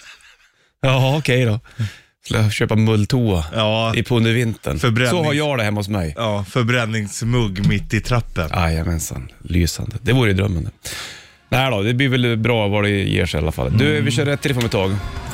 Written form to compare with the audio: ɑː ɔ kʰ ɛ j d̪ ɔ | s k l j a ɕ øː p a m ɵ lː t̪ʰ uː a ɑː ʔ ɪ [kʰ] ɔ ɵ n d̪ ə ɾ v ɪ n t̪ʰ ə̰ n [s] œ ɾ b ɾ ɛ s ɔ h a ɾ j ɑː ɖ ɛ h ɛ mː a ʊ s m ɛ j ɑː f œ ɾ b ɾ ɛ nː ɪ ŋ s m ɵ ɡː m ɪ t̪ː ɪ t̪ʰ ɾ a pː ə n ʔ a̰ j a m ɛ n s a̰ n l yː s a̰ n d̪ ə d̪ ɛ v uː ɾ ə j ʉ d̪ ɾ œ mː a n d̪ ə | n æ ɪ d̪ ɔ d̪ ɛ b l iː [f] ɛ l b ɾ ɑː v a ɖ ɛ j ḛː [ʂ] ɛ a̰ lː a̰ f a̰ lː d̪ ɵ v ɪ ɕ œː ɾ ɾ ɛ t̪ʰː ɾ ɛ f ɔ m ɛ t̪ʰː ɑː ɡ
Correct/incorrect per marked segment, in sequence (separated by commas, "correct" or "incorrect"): incorrect, incorrect, incorrect, correct